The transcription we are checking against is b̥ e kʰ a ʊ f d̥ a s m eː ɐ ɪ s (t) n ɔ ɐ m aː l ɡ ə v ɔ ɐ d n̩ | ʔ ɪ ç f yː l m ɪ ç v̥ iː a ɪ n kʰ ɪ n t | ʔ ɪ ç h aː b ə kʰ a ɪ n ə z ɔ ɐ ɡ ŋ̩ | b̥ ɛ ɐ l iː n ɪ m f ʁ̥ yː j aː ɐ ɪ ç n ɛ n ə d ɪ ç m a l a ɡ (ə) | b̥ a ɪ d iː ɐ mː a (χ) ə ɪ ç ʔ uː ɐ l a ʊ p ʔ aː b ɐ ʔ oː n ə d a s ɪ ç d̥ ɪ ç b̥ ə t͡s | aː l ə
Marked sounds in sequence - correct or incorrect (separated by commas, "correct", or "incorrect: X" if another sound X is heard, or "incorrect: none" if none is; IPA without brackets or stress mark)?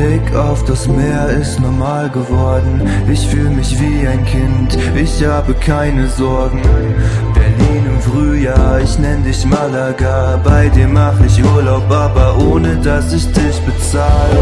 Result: correct, incorrect: a, correct